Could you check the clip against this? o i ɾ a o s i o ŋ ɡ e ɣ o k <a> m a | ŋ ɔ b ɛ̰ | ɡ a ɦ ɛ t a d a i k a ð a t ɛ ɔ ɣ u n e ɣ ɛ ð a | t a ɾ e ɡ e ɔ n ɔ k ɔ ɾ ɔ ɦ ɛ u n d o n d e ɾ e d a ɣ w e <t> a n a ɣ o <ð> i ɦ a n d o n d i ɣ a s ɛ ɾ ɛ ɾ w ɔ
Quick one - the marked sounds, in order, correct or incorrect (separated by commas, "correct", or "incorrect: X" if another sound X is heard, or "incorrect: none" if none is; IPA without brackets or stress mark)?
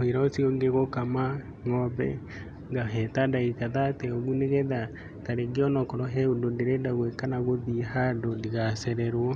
correct, incorrect: k, correct